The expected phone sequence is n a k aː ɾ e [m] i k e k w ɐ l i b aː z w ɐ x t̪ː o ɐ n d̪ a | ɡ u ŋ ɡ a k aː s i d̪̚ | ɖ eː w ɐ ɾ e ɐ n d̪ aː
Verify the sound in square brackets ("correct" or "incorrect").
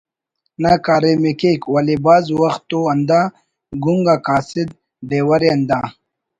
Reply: correct